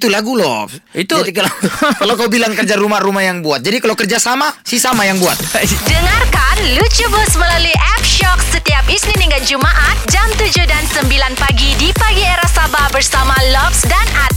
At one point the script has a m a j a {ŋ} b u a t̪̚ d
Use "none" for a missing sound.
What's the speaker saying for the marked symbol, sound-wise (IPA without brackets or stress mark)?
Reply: ŋ